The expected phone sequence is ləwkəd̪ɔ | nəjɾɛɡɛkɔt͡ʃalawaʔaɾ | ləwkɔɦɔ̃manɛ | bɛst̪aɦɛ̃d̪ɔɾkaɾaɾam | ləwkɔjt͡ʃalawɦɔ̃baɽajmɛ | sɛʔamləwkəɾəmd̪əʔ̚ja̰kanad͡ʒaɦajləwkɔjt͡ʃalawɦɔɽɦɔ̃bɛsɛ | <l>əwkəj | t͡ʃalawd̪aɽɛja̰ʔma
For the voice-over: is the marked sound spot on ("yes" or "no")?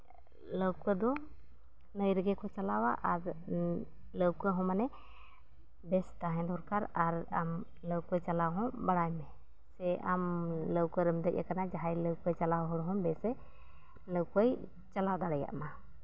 yes